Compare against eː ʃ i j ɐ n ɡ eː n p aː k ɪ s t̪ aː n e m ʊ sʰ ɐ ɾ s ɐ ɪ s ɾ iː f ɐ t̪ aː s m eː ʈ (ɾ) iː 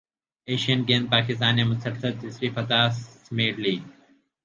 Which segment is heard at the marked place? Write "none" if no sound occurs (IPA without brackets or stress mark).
l